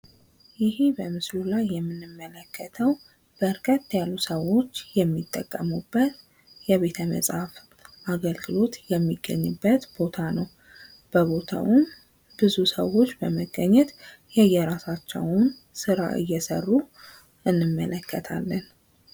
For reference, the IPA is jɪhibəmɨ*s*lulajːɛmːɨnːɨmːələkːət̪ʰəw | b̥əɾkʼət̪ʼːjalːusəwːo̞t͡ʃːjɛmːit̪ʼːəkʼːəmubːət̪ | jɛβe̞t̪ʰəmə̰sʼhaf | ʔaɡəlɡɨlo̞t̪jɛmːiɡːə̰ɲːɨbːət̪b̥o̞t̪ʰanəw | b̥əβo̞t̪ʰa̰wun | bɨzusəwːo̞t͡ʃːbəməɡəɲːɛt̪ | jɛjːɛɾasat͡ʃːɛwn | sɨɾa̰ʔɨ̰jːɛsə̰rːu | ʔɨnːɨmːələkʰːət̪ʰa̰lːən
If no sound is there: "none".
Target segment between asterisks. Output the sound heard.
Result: s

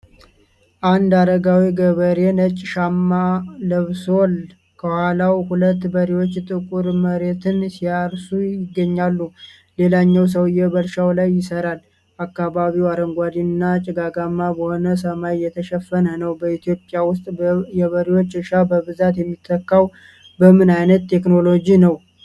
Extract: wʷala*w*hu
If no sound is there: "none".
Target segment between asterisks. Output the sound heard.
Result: w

